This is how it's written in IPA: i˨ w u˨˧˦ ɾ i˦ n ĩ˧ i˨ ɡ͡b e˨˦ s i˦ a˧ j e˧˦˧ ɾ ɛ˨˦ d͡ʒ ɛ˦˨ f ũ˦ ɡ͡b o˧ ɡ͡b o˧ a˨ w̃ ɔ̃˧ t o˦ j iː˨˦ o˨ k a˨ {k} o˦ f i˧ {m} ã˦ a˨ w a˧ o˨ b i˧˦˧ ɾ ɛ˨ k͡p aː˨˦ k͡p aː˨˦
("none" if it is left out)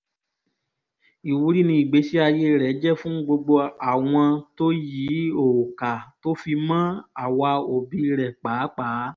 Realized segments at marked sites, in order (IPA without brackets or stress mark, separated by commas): t, m